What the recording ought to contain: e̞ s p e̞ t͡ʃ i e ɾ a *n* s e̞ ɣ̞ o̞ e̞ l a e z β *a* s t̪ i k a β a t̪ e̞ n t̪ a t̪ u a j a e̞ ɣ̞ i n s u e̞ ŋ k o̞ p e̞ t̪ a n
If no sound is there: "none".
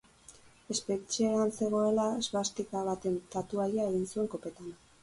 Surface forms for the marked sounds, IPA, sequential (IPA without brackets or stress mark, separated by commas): n, a